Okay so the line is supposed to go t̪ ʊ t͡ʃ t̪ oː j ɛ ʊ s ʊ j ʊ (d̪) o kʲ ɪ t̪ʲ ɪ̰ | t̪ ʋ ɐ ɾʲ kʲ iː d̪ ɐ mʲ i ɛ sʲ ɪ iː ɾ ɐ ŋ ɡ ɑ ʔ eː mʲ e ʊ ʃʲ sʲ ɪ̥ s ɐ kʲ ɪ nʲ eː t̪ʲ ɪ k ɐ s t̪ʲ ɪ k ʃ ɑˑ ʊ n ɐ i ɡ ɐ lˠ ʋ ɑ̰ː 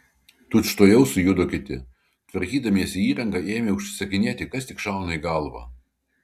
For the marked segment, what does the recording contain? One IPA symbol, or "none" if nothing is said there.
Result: d̪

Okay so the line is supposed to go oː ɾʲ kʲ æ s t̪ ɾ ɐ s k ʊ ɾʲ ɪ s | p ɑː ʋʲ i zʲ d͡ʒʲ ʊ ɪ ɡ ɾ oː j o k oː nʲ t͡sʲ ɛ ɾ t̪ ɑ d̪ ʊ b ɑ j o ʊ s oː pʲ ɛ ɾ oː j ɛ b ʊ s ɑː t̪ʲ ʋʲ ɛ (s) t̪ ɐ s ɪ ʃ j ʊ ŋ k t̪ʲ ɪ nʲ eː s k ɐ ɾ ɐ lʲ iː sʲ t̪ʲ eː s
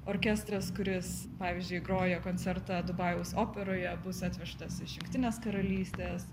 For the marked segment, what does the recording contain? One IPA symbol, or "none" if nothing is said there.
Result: ʃ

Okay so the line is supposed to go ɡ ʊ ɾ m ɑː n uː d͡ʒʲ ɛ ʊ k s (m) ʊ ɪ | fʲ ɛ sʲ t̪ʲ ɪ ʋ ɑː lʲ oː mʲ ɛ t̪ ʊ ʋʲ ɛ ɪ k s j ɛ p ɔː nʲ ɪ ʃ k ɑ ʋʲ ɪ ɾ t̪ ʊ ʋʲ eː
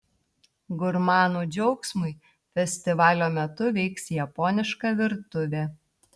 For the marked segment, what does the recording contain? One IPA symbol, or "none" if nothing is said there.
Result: m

